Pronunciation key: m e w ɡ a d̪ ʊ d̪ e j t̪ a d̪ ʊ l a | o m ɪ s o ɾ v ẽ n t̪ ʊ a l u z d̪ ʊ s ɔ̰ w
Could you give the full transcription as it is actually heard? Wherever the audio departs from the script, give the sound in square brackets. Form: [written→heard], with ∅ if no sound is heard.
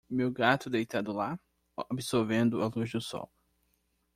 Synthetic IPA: m e w ɡ a [d̪→t̪] ʊ d̪ e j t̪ a d̪ ʊ l a | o [m→b] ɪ s o ɾ v ẽ n [t̪→d̪] ʊ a l u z d̪ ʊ s ɔ̰ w